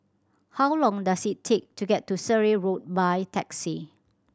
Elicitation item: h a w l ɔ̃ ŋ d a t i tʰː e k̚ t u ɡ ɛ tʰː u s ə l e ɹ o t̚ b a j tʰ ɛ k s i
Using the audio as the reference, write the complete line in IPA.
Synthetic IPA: h a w l ɔ̃ ŋ d a s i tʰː e k̚ t u ɡ ɛ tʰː u s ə ɹ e ɹ o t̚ b a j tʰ ɛ k s i